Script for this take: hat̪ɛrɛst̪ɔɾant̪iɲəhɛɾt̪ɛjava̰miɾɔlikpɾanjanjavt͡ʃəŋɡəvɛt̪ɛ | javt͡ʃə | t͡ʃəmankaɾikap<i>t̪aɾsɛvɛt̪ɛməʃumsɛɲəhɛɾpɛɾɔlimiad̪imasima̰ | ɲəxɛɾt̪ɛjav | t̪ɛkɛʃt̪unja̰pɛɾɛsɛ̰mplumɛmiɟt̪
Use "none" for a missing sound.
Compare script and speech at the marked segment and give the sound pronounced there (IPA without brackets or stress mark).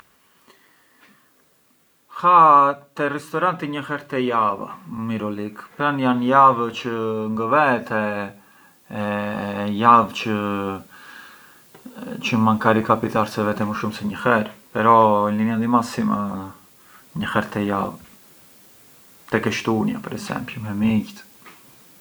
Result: i